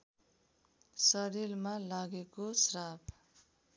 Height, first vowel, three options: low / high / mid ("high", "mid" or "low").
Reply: mid